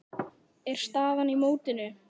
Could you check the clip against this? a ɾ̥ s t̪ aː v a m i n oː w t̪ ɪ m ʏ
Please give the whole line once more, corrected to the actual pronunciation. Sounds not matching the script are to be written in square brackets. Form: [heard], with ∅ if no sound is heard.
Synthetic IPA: [ɛ] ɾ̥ s t̪ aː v a [n] i [m] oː w t̪ ɪ [n] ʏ

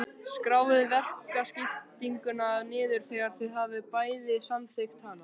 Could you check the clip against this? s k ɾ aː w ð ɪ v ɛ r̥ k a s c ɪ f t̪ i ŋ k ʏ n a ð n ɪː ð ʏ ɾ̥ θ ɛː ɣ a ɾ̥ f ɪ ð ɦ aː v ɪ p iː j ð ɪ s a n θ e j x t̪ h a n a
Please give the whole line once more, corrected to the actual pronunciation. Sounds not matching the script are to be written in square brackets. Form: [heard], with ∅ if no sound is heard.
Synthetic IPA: s k ɾ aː w ð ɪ v ɛ r̥ k a s c ɪ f t̪ i ŋ k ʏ n a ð n ɪː ð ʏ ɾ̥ θ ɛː ɣ a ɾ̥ [θ] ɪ ð ɦ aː v ɪ p [aː] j ð ɪ s a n θ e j x t̪ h a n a

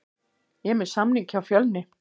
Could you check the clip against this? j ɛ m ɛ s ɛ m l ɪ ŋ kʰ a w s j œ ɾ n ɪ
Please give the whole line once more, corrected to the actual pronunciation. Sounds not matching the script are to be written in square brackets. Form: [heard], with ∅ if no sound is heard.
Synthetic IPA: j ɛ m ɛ s [a] m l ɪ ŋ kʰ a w [f] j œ [l] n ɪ

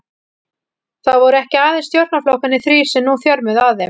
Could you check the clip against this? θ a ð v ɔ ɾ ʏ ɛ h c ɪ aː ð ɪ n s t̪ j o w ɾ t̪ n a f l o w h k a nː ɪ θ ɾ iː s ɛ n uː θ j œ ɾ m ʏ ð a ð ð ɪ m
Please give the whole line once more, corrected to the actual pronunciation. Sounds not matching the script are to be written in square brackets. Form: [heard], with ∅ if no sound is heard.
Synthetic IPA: θ a ð v ɔ ɾ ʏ ɛ h c ɪ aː ð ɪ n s t̪ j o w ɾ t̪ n a f l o w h k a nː ɪ θ ɾ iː s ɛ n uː θ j œ ɾ m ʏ ð a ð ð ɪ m

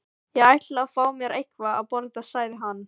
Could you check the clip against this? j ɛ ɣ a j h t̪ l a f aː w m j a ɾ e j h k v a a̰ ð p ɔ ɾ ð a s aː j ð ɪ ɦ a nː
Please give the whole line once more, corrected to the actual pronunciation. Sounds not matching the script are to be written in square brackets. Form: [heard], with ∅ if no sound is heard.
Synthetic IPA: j ɛ ɣ a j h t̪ l a f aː w m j [ɛ] ɾ e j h k v a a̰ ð p ɔ ɾ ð a s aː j ð ɪ ɦ a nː

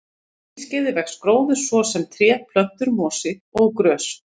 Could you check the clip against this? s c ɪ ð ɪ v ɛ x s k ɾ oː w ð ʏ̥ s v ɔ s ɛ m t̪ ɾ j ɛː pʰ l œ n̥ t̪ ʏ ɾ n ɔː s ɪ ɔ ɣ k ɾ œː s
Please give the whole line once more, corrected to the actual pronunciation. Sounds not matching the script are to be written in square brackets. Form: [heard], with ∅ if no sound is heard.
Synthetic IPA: s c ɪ ð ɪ v ɛ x s k ɾ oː w ð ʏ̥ s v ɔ s ɛ m [t̪ʰ] ɾ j ɛː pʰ l œ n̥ t̪ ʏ ɾ [m] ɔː s ɪ ɔ ɣ k ɾ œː s

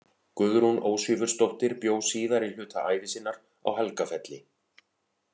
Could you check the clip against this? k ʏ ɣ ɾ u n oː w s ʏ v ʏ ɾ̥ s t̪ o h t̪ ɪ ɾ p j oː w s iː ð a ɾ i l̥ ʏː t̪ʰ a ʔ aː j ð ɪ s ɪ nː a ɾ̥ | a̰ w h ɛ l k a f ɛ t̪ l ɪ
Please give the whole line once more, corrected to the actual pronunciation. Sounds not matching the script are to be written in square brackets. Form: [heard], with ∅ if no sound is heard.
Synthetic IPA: k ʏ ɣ ɾ u n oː w s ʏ v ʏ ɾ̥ s t̪ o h t̪ ɪ ɾ p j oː w s iː ð a ɾ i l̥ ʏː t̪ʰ a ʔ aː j [v] ɪ s ɪ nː a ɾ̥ | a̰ w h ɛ l k a f ɛ t̪ l ɪ

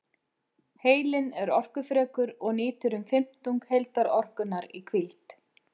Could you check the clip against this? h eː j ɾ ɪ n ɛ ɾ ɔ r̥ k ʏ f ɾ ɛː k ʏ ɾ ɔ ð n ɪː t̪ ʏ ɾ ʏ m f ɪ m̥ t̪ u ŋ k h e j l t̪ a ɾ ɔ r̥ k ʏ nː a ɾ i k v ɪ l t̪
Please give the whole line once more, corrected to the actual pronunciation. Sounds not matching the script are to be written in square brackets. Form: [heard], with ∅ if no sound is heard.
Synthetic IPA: h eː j [l] ɪ n ɛ ɾ ɔ r̥ k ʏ f ɾ ɛː k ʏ ɾ ɔ [ɣ] n ɪː t̪ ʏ ɾ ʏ m f ɪ m̥ t̪ u ŋ k h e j l t̪ a ɾ ɔ r̥ k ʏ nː a ɾ i [kʰ] v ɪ l t̪

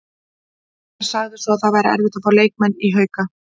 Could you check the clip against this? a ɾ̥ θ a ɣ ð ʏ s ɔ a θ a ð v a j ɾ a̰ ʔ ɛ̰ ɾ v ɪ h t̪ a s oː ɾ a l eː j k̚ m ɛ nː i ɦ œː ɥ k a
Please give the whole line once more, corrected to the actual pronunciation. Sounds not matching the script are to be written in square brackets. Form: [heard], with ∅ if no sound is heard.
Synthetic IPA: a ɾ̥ [s] a ɣ ð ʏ s ɔ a θ a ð v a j ɾ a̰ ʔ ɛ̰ ɾ v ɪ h t̪ a [f] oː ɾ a l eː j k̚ m ɛ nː i ɦ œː ɥ k a

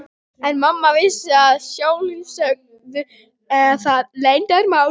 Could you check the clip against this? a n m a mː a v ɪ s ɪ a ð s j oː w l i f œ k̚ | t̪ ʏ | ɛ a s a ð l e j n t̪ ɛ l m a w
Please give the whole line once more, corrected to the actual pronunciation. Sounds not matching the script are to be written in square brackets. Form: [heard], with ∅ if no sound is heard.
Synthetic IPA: [ɛ] n m a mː a v ɪ s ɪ a ð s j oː w l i [s] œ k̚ | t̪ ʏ | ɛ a [θ] a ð l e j n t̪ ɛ [ɾ] m a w

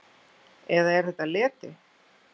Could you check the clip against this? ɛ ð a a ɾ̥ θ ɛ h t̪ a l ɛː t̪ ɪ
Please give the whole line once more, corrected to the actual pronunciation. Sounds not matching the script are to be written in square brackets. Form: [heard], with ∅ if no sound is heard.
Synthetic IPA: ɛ ð a [ɛ] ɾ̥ θ ɛ h t̪ a l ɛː t̪ ɪ

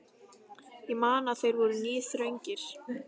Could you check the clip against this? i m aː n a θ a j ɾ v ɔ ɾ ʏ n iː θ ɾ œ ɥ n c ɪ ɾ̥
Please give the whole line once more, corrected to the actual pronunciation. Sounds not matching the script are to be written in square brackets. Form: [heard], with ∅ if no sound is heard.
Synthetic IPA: i m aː n a θ [e] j ɾ v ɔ ɾ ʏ n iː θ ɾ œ ɥ [ɲ] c ɪ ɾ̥

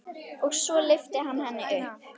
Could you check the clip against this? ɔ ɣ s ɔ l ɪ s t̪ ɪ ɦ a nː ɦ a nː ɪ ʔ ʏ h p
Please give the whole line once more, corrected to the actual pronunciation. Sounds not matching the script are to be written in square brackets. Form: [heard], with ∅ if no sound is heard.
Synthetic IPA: ɔ ɣ s ɔ l ɪ [f] t̪ ɪ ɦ a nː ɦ [ɛ] nː ɪ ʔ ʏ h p

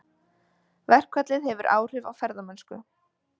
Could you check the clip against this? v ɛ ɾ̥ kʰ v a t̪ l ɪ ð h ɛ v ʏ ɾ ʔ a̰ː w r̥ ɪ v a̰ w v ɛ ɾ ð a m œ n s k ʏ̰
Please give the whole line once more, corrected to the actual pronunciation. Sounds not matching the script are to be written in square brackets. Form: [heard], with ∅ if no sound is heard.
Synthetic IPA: v ɛ [r̥] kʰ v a t̪ l ɪ ð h ɛ v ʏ ɾ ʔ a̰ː w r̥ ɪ v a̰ w [f] ɛ ɾ ð a m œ n s k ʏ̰

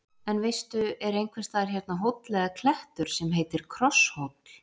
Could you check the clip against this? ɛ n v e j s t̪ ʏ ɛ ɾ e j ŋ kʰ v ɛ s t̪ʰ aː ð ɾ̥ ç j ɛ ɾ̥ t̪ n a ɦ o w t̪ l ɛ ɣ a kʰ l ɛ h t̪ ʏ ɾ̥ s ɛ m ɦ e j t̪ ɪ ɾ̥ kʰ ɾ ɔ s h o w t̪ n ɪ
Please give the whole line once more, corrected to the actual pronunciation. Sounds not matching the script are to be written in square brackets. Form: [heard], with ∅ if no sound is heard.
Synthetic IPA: ɛ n v e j s t̪ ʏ ɛ ɾ e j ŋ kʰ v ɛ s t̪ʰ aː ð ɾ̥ ç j ɛ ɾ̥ t̪ n a ɦ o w t̪ l ɛ ɣ a kʰ l ɛ h t̪ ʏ ɾ̥ s ɛ m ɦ e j t̪ ɪ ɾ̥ kʰ ɾ ɔ s h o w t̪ n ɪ

